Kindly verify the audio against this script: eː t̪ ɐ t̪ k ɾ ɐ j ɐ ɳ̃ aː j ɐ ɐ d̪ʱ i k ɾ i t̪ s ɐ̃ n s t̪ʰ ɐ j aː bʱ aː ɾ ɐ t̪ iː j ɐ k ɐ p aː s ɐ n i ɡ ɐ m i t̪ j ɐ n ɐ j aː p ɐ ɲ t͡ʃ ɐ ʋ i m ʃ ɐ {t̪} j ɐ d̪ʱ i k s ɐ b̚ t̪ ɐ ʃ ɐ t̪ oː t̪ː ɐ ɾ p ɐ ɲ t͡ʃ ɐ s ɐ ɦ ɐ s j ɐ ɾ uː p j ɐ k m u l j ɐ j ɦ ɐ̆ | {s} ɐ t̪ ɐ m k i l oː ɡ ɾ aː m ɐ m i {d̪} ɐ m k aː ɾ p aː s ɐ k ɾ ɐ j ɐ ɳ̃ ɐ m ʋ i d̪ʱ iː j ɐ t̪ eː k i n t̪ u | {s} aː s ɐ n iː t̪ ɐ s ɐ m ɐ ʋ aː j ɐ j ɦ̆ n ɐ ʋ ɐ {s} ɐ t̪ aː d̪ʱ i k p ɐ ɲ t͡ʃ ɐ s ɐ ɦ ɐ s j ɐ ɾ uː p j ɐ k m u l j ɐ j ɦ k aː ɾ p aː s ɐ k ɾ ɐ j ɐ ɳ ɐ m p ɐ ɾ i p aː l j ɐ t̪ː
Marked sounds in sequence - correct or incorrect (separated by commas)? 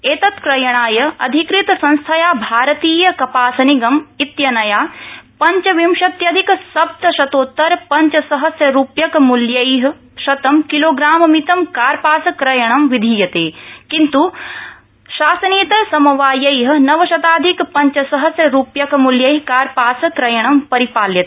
correct, incorrect, incorrect, incorrect, incorrect